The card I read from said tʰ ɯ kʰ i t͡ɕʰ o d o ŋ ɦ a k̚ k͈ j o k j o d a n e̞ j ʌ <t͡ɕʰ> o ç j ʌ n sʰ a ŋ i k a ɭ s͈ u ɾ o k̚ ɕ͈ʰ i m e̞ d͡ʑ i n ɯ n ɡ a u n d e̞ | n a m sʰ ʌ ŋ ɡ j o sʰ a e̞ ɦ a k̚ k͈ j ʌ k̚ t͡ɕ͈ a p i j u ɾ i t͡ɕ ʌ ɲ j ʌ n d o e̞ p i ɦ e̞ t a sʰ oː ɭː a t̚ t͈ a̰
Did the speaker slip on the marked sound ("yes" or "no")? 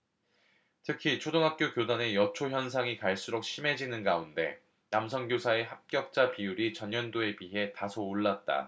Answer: no